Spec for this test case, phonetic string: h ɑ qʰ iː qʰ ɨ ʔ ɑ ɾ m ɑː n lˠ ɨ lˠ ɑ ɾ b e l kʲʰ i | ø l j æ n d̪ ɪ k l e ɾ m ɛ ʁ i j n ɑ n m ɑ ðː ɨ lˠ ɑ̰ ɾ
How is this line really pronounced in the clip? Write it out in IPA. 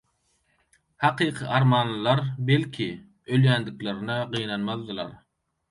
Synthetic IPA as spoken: h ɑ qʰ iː qʰ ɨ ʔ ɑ ɾ m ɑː n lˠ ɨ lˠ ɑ ɾ b e l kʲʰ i | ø l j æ n d̪ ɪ k l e ɾ n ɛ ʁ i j n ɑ n m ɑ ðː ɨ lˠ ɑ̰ ɾ